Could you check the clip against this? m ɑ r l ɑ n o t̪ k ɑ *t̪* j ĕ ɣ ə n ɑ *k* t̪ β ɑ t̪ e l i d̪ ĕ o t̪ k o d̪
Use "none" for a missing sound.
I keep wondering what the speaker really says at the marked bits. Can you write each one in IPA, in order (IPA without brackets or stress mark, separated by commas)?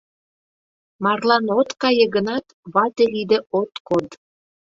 none, none